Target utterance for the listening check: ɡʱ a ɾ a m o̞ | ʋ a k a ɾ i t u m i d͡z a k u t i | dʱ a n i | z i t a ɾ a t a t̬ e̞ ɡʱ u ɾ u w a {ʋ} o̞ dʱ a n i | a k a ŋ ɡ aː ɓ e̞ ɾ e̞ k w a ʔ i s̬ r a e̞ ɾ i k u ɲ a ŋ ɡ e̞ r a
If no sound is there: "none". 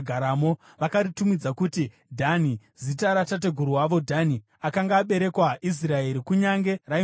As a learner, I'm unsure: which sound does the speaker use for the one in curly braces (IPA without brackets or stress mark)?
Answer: ʋ